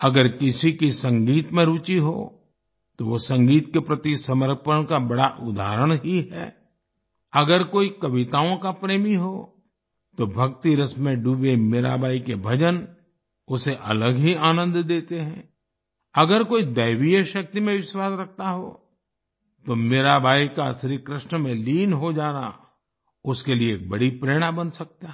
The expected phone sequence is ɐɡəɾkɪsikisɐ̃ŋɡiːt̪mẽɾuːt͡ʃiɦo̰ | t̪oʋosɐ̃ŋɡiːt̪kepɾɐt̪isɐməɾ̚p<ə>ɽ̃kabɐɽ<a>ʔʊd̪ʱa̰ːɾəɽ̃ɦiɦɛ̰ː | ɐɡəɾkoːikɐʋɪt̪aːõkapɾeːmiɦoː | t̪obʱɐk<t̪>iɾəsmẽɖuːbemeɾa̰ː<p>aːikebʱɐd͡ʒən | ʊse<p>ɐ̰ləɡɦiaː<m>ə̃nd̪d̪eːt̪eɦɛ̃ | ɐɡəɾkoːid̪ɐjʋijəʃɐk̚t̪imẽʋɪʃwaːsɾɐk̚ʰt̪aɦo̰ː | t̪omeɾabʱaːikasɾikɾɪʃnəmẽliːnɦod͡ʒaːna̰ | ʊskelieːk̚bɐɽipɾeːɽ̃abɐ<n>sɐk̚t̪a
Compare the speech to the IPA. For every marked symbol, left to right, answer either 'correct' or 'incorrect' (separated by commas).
correct, correct, correct, incorrect, incorrect, incorrect, correct